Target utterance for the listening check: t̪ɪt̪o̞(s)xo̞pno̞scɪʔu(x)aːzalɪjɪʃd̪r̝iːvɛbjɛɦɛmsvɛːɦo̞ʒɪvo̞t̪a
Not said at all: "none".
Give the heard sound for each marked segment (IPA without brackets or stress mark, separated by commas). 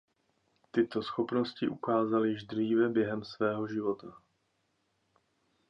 s, k